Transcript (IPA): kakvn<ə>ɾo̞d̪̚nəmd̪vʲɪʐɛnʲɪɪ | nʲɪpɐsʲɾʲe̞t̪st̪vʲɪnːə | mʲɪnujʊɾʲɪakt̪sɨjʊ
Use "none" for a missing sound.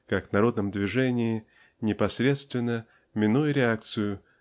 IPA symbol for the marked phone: ɐ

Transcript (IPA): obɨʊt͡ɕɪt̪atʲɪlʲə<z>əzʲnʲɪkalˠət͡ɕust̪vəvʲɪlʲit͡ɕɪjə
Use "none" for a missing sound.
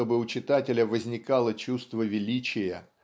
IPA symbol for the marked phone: v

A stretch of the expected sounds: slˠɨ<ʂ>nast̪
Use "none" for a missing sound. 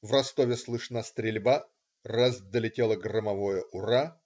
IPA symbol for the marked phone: ʂ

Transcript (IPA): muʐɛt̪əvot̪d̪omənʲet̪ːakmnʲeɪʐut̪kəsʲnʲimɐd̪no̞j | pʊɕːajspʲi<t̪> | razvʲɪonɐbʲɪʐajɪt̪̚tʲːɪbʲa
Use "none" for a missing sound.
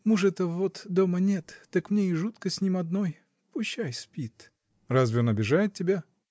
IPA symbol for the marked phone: t̪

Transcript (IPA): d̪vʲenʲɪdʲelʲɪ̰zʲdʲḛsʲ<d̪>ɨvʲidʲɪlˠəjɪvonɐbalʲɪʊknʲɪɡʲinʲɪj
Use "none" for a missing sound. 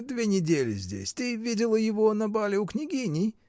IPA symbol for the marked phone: t̪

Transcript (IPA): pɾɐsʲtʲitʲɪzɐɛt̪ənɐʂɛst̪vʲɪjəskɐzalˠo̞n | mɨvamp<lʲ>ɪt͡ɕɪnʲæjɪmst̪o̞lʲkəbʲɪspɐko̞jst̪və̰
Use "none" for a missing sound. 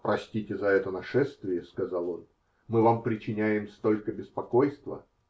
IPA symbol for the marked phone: ɾʲ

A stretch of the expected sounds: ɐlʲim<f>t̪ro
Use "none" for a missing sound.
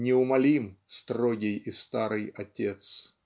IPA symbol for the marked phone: s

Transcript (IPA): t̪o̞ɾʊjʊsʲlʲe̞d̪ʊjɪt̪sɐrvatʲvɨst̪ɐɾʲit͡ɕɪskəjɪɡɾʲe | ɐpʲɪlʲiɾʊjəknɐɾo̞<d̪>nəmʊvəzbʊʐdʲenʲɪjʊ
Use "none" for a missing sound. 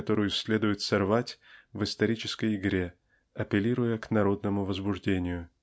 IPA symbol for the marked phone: d̪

